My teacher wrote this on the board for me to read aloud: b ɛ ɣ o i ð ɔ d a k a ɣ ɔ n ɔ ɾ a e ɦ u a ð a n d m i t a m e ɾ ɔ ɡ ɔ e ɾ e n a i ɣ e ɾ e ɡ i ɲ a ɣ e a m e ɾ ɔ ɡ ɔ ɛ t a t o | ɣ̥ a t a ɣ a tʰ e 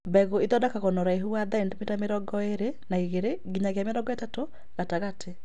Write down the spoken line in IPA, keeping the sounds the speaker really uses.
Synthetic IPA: b ɛ ɣ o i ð ɔ d a k a ɣ ɔ n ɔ ɾ a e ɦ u a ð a n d m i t a m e ɾ ɔ ɡ ɔ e ɾ e n a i ɣ e ɾ e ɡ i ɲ a ɣ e a m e ɾ ɔ ɡ ɔ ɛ t a t o | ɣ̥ a t a ɣ a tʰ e